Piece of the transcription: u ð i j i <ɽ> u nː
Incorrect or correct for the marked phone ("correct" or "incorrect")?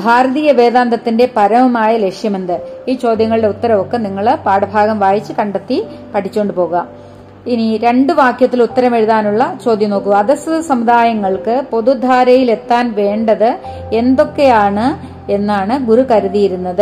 incorrect